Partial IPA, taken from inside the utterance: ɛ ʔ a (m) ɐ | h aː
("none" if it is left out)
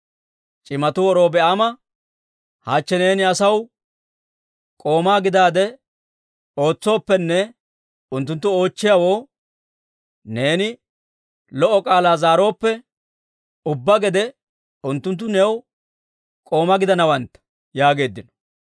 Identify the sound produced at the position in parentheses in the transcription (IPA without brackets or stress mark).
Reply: m